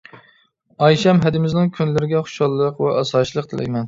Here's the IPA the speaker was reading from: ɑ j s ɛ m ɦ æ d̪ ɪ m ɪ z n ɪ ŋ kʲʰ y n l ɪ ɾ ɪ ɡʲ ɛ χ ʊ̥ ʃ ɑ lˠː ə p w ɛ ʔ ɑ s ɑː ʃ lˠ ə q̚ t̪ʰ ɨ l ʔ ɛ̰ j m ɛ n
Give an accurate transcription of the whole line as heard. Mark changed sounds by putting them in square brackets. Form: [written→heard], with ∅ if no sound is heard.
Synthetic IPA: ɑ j [s→ʃ] ɛ m ɦ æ d̪ ɪ m ɪ z n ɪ ŋ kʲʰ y n l ɪ ɾ ɪ ɡʲ ɛ χ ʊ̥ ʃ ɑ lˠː ə [p→q] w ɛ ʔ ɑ s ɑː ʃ lˠ ə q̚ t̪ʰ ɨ l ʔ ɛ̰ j m ɛ n